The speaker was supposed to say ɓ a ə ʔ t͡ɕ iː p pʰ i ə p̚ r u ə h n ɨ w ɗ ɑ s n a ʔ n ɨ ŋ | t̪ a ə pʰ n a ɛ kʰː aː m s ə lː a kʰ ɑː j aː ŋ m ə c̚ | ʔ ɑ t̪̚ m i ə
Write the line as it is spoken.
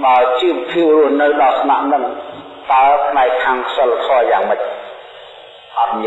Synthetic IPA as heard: ɓ a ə t͡ɕ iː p pʰ i ə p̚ r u ə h n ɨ w ɗ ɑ s n a ʔ n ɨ ŋ | t̪ a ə pʰ n a ɛ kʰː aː ŋ s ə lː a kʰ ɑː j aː ŋ m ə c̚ | ʔ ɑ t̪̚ m i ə